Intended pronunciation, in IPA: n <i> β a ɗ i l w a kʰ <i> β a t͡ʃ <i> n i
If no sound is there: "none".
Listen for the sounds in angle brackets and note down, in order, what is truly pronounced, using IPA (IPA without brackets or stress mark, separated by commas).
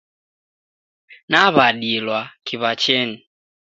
a, i, ɛ